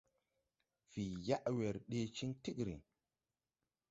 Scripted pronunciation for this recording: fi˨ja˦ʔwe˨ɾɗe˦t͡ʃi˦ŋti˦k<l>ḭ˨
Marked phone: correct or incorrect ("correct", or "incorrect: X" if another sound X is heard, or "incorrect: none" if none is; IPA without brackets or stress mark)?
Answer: incorrect: ɾ